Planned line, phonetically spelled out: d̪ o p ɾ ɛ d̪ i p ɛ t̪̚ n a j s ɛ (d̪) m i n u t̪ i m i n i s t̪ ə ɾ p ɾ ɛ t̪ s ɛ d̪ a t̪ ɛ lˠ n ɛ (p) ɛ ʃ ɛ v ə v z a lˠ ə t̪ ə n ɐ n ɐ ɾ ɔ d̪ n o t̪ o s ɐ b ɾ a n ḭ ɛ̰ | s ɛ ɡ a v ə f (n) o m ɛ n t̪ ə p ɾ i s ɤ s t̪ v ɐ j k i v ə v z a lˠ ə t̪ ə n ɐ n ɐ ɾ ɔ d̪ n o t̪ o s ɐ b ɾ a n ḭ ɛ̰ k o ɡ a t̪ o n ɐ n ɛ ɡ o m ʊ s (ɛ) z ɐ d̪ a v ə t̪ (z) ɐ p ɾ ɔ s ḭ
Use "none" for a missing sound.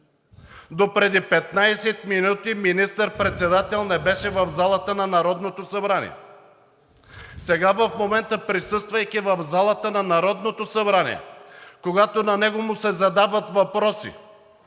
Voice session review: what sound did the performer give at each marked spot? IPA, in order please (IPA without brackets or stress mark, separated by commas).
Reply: t̪, b, m, ɛ, v